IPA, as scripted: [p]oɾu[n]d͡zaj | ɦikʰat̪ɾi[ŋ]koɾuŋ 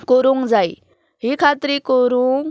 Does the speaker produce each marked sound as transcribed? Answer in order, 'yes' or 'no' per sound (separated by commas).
no, no, no